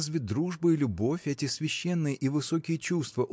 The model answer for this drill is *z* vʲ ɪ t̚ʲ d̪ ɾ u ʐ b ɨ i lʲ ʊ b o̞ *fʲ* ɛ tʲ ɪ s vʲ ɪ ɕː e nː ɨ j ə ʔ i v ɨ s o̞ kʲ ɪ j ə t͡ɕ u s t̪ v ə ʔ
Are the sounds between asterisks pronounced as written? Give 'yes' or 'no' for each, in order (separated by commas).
yes, yes